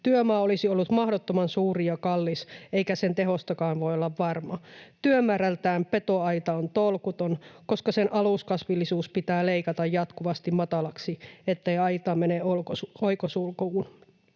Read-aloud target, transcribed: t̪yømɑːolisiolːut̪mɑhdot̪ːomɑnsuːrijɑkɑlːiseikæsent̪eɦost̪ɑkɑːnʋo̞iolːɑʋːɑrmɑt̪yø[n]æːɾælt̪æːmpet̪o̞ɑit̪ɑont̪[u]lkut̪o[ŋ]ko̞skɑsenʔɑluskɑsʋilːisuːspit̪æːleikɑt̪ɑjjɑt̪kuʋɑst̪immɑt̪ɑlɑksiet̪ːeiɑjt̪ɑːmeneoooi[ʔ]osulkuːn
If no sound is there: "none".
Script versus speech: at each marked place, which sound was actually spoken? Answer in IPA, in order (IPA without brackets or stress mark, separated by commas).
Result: m, o, n, k